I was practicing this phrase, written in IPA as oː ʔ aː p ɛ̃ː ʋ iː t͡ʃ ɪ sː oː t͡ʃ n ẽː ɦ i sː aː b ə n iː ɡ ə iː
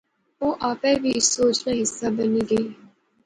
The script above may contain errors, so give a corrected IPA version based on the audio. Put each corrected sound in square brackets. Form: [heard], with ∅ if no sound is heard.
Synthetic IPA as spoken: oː ʔ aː p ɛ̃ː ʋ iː [∅] ɪ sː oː t͡ʃ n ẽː ɦ [ɪ] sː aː b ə n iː ɡ ə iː